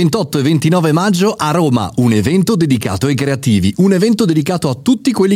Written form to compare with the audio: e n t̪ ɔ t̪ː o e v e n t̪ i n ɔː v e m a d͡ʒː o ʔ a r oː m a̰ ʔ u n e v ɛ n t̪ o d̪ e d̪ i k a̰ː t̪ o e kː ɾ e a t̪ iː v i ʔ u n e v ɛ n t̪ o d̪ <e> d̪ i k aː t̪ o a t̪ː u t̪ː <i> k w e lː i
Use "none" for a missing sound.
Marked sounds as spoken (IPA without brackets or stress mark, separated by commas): e, i